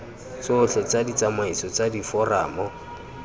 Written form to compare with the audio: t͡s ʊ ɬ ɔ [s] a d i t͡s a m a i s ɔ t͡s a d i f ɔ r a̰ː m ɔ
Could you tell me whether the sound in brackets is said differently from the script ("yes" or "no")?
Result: yes